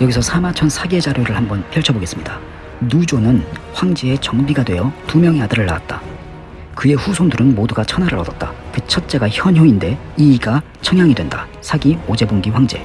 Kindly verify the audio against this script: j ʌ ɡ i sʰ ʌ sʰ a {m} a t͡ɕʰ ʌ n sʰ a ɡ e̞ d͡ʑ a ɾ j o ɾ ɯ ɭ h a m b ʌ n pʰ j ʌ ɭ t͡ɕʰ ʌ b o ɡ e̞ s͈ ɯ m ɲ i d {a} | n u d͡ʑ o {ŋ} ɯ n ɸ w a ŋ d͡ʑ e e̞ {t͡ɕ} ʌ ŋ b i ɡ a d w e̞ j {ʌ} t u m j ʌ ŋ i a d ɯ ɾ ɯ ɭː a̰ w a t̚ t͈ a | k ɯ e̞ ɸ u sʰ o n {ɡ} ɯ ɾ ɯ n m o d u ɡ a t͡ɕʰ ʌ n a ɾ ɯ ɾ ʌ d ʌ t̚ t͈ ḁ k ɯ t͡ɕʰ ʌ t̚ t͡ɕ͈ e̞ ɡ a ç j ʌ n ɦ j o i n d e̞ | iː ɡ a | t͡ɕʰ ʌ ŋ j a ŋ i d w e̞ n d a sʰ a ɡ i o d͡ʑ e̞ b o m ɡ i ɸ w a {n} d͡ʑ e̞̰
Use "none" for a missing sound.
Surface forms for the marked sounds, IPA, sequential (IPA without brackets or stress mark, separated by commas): m, a, n, t͡ɕ, ʌ, d, ŋ